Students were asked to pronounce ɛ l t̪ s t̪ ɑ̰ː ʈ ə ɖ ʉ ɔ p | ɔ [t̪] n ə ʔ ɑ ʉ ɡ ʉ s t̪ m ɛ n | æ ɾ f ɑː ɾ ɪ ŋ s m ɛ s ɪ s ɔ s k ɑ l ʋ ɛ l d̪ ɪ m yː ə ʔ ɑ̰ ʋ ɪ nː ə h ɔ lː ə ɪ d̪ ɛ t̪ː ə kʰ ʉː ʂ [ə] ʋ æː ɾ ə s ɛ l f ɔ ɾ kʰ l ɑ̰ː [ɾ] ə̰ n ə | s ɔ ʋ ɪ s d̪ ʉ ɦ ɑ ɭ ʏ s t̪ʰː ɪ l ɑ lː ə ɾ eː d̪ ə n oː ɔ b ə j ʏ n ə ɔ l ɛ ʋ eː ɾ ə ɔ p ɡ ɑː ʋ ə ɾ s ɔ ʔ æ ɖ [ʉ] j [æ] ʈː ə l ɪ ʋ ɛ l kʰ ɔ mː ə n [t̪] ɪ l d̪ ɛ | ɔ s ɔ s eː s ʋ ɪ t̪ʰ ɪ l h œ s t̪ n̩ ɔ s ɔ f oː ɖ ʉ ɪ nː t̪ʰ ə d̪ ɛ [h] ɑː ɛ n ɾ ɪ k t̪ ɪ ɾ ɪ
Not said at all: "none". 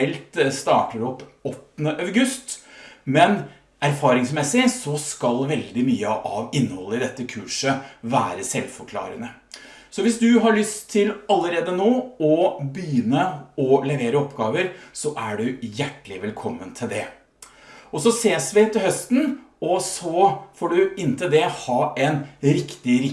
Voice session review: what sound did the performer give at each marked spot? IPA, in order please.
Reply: t̪, ə, ɾ, ʉ, æ, t̪ʰ, h

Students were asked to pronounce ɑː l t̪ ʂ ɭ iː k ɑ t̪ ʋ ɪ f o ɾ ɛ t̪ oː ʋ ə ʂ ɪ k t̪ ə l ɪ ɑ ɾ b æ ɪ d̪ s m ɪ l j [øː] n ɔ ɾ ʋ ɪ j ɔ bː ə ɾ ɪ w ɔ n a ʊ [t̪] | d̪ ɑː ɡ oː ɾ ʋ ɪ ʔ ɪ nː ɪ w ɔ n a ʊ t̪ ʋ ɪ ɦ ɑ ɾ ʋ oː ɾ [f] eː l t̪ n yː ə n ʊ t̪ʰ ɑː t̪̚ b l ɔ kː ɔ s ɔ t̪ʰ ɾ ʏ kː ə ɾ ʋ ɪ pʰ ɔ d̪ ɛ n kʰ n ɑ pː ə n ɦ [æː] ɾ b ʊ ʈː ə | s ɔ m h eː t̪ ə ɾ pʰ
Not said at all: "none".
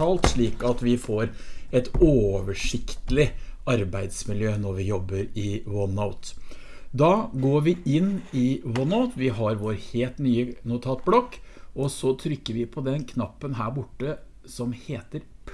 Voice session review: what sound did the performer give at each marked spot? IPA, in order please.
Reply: øː, t̪, h, æː

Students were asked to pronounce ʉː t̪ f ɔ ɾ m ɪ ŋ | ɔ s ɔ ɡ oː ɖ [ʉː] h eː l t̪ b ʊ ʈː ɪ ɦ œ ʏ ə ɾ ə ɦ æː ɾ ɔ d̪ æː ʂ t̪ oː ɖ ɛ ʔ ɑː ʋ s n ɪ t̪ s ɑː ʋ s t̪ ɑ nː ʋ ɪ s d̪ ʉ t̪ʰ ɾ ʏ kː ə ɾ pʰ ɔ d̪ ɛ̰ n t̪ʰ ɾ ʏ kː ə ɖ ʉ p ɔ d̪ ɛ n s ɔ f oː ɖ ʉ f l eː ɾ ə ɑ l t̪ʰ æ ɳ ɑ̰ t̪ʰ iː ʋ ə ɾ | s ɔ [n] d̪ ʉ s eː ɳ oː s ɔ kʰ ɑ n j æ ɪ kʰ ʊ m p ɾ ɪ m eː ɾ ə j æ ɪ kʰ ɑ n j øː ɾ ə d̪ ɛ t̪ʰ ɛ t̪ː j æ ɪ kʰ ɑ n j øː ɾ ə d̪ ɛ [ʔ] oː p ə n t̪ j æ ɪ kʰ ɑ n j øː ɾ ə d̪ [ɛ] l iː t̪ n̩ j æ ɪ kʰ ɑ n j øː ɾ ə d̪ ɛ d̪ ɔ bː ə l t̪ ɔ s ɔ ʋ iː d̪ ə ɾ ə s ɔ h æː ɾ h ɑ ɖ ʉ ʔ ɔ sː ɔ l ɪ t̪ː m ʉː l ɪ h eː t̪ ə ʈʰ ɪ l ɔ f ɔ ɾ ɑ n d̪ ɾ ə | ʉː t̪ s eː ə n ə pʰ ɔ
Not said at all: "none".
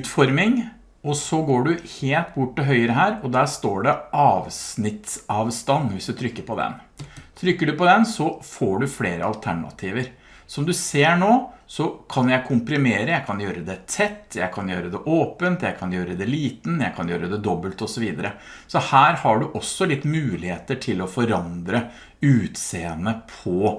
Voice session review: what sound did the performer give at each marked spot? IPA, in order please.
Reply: ʉ, m, ʔ, ɛ

